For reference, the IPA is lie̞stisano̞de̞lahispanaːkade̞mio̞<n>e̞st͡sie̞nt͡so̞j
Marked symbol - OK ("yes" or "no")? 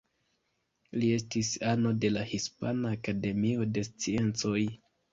no